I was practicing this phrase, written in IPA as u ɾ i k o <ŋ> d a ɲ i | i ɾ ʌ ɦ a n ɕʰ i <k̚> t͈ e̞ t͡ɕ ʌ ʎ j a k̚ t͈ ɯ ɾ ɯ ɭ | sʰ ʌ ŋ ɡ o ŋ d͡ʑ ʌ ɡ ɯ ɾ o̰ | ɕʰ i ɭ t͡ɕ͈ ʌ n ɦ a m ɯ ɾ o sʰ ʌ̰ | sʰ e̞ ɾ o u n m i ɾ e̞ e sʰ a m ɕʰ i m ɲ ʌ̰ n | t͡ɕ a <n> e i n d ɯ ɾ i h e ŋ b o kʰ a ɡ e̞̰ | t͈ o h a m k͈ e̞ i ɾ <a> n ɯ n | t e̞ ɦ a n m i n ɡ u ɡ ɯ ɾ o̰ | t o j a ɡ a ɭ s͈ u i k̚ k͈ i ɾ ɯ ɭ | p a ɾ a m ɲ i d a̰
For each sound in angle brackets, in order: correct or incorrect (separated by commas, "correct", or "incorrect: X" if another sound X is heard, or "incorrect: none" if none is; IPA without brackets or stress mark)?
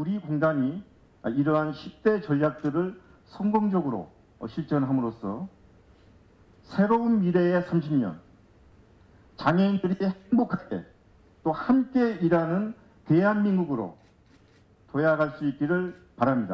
correct, incorrect: p̚, incorrect: ŋ, correct